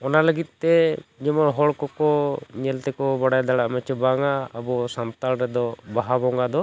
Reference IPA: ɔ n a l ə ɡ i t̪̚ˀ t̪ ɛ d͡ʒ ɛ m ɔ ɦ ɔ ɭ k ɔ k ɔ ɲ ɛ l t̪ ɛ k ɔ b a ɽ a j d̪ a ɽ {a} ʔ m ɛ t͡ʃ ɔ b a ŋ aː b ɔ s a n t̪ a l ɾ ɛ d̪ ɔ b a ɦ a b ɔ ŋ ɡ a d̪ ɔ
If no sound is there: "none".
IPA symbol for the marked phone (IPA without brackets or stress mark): a